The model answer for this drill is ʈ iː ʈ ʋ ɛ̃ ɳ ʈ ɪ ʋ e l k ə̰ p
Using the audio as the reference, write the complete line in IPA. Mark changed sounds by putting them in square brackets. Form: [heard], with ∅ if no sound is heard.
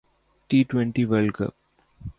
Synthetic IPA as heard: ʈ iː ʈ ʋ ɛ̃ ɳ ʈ [i] ʋ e l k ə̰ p